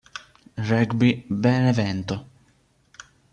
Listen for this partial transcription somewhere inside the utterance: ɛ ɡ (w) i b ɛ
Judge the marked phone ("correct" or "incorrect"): incorrect